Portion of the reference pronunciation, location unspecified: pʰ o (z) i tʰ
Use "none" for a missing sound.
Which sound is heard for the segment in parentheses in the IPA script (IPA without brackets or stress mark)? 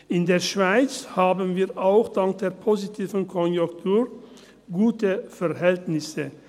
z